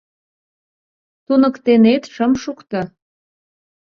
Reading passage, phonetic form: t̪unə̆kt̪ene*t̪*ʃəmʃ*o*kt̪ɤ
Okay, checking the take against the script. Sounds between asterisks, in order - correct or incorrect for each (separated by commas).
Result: correct, incorrect